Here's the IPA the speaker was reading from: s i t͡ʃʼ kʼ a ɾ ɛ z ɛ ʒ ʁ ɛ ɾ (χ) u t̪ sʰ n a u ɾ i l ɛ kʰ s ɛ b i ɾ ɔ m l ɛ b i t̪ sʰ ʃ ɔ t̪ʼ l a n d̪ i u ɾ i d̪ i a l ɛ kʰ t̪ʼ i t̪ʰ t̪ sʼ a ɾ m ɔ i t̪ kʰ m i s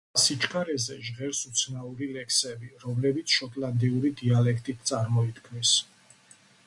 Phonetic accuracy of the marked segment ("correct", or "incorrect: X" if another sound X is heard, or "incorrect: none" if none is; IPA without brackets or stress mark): incorrect: s